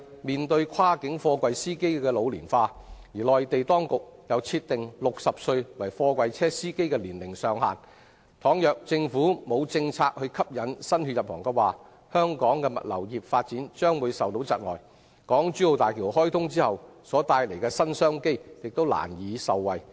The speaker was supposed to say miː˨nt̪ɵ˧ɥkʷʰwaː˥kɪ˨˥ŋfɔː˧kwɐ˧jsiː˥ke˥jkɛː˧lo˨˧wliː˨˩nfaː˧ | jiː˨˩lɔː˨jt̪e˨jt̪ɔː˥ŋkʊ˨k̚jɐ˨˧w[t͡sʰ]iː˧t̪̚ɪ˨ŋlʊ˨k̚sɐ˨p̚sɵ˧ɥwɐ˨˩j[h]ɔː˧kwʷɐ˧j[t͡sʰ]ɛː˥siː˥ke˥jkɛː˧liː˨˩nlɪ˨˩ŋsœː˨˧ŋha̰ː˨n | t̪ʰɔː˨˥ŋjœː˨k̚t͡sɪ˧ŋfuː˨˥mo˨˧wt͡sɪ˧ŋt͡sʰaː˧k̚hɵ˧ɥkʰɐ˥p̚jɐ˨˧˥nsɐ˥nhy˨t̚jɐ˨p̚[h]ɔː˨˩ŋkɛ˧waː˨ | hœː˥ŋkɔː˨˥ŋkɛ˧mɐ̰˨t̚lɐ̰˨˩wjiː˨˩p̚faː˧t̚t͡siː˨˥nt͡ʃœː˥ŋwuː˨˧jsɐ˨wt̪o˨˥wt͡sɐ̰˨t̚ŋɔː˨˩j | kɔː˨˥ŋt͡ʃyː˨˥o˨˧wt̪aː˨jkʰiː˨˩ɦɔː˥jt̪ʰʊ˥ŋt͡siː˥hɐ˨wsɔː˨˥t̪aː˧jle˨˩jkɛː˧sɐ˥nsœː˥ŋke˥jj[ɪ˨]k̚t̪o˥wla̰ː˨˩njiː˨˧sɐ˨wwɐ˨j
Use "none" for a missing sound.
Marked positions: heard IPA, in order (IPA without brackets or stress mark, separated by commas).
t͡sʰ, f, t͡sʰ, h, ɪ˨